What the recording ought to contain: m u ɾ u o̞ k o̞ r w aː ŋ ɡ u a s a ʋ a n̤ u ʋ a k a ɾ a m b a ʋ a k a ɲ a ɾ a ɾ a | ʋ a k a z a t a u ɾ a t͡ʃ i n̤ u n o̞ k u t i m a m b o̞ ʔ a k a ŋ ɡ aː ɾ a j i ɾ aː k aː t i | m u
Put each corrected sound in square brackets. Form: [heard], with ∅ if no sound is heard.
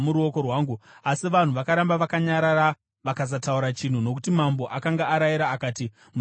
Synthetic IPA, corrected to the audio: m u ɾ u o̞ k o̞ r w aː ŋ ɡ u a s [i] ʋ a n̤ u ʋ a k a ɾ a m b a ʋ a k a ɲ a ɾ a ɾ a | ʋ a k a z a t a u ɾ a t͡ʃ i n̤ u n o̞ k u t i m a m b o̞ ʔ a k a ŋ ɡ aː ɾ a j i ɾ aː k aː t i | m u